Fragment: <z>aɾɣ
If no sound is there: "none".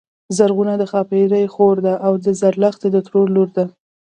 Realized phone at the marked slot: z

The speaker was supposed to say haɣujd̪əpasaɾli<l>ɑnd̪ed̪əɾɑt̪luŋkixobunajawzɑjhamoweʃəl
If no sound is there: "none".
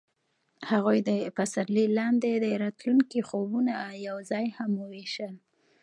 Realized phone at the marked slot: l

